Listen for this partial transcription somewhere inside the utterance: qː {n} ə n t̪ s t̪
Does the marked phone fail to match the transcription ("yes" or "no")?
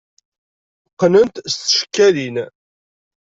no